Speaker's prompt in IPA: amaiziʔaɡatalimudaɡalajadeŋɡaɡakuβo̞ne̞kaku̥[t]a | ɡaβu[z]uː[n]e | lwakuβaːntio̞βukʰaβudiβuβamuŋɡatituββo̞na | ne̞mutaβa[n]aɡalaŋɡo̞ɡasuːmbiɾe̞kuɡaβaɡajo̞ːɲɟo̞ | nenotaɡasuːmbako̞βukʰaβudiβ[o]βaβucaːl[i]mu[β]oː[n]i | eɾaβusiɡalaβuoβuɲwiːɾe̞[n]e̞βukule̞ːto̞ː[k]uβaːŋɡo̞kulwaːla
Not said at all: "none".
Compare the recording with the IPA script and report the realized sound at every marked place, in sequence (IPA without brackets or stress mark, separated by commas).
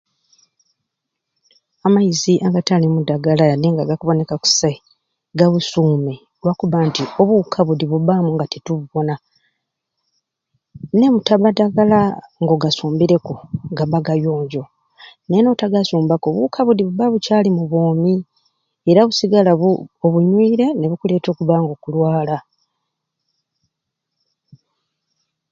s, s, m, d, u, i, β, m, n, k